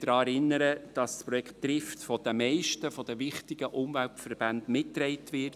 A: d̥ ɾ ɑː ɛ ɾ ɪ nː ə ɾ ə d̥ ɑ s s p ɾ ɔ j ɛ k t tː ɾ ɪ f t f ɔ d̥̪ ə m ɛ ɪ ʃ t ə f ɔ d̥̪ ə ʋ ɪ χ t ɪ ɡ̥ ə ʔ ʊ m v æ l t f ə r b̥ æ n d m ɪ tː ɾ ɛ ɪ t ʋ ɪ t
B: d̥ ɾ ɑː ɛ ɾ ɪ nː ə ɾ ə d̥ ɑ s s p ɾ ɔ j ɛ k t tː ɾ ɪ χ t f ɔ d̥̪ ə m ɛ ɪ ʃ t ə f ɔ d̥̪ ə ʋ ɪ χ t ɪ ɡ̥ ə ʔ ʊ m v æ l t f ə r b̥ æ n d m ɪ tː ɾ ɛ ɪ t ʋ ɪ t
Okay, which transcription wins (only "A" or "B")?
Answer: A